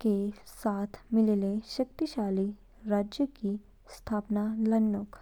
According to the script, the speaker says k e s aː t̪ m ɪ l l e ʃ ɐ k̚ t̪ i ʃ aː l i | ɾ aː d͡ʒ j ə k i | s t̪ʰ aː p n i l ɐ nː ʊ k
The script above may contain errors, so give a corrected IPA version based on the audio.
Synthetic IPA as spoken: k e s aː t̪ʰ m ɪ l l e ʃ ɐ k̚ t̪ i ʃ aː l i | ɾ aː d͡ʒ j ə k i | s t̪ʰ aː p n a l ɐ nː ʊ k